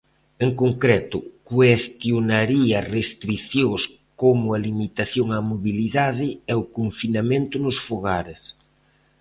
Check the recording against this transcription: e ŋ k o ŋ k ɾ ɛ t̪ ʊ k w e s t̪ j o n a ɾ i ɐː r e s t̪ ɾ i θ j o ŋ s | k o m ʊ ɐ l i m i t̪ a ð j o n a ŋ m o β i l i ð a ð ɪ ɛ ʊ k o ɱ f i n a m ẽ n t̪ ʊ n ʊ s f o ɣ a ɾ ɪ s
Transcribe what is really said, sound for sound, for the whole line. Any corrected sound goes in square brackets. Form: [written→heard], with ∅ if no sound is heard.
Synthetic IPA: e ŋ k o ŋ k ɾ ɛ t̪ ʊ k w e s t̪ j o n a ɾ i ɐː r e s t̪ ɾ i θ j o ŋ s | k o m ʊ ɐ l i m i t̪ a [ð→θ] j o [n→ŋ] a [ŋ→∅] m o β i l i ð a ð ɪ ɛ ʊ k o ɱ f i n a m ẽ n t̪ ʊ n ʊ s f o ɣ a ɾ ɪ s